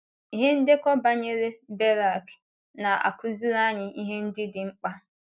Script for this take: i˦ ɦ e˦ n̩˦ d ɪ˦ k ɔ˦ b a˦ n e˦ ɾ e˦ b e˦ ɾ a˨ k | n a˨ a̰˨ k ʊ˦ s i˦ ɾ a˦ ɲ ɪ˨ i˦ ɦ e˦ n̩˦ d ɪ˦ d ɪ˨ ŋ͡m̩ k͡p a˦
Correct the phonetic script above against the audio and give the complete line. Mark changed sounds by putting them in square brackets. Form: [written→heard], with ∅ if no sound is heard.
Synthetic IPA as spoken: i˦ ɦ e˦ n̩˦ d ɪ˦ k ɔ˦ b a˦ [n→ɲ] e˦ ɾ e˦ b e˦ ɾ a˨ k | n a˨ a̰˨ k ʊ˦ [s→z] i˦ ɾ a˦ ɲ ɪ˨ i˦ ɦ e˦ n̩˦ d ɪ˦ d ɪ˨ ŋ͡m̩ k͡p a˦